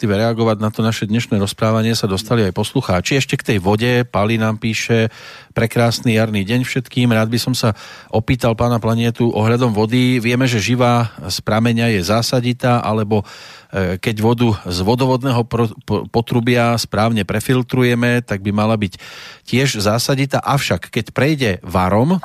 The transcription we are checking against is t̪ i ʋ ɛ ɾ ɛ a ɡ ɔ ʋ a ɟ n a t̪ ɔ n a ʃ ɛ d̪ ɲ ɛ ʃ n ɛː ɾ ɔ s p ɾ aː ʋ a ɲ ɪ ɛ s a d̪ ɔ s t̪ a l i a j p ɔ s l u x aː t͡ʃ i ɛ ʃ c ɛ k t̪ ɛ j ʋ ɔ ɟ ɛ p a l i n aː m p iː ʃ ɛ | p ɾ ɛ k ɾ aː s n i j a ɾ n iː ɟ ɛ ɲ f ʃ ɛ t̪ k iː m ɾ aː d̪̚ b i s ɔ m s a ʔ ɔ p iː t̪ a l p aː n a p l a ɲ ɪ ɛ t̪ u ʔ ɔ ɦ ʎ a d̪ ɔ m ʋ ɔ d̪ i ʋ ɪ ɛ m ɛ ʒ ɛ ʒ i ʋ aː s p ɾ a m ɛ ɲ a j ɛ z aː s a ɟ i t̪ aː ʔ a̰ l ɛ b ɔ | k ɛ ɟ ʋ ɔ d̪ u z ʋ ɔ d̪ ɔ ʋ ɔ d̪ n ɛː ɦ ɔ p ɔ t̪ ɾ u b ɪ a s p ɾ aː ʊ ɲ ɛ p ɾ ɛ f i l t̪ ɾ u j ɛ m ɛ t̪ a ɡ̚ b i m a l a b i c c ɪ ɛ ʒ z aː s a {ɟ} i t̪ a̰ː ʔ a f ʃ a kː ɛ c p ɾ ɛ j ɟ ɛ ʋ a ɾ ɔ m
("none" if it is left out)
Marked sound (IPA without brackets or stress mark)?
ɟ